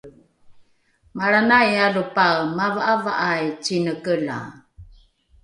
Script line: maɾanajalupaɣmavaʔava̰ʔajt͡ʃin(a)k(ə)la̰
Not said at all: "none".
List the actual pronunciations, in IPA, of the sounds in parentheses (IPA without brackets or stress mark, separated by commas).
ə, ə